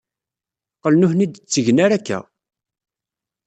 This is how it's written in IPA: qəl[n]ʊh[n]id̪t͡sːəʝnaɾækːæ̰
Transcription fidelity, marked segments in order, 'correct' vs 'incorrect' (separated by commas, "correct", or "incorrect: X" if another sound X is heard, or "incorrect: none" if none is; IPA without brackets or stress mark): correct, correct